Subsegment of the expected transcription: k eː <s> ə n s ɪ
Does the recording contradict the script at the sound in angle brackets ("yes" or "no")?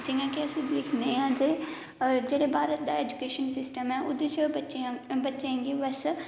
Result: yes